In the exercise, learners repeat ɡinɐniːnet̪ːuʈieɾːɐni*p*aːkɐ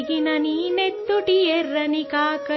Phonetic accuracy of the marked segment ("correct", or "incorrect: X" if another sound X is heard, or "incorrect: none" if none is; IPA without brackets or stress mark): incorrect: k